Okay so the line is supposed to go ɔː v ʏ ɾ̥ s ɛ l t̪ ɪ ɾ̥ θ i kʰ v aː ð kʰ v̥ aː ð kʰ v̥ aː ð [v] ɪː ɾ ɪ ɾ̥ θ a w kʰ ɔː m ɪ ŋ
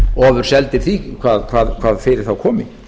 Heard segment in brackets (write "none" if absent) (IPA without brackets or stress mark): f